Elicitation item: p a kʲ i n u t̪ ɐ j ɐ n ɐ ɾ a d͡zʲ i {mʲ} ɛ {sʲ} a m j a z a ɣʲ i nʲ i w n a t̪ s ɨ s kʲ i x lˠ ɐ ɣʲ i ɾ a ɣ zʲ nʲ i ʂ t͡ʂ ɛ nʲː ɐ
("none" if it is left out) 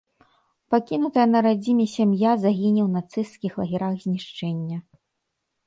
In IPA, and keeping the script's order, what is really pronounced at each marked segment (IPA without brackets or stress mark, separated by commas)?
mʲ, sʲ